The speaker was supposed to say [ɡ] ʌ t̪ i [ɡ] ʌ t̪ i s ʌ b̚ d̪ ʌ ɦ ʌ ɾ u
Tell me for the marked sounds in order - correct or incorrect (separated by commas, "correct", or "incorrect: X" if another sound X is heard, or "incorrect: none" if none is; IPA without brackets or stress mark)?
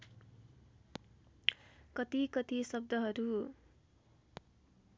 incorrect: k, incorrect: k